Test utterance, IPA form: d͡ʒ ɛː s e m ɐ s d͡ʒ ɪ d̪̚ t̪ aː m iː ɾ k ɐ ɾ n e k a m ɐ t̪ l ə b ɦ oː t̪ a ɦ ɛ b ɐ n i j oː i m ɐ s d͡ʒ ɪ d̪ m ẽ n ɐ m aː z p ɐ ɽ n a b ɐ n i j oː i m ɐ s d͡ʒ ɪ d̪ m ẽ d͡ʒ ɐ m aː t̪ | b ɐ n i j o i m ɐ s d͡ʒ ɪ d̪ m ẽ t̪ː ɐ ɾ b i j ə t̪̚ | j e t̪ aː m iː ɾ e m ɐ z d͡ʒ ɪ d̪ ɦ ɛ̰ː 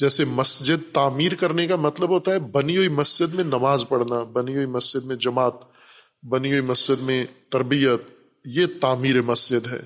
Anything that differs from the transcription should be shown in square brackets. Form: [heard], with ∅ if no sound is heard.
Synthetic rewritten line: d͡ʒ ɛː s e m ɐ s d͡ʒ ɪ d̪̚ t̪ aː m iː ɾ k ɐ ɾ n e k a m ɐ t̪ l ə b ɦ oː t̪ a ɦ ɛ b ɐ n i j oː i m ɐ s d͡ʒ ɪ d̪ m ẽ n ɐ m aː z p ɐ ɽ n a b ɐ n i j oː i m ɐ s d͡ʒ ɪ d̪ m ẽ d͡ʒ ɐ m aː t̪ | b ɐ n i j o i m ɐ s d͡ʒ ɪ d̪ m ẽ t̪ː ɐ ɾ b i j ə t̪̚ | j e t̪ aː m iː ɾ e m ɐ [s] d͡ʒ ɪ d̪ ɦ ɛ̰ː